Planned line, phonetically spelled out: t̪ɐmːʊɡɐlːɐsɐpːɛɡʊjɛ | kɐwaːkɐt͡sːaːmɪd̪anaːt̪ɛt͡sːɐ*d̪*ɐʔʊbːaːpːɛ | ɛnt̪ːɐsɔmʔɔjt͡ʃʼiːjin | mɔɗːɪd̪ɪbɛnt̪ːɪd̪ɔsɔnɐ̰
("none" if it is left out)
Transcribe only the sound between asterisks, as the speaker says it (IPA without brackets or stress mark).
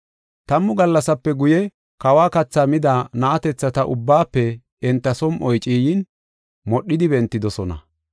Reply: t̪